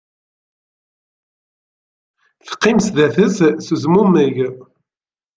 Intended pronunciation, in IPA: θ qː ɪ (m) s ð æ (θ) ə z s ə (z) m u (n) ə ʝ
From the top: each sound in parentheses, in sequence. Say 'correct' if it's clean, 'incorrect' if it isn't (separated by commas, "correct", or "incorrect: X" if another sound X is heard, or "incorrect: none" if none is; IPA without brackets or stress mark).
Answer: correct, correct, correct, incorrect: m